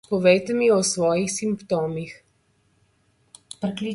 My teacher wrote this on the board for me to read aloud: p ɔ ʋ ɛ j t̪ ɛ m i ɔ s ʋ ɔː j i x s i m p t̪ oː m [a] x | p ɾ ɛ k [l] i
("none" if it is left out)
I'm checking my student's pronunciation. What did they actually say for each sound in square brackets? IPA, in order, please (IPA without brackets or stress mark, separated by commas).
i, l